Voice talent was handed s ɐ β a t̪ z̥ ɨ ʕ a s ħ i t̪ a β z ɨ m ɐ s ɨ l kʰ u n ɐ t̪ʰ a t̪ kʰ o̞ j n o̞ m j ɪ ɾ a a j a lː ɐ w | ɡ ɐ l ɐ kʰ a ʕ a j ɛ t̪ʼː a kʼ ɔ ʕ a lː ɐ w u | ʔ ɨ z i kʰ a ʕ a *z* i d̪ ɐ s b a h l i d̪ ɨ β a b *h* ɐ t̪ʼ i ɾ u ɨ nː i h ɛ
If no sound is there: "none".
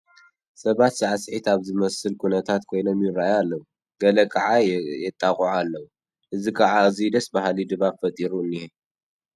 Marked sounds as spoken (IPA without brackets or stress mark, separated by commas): z, f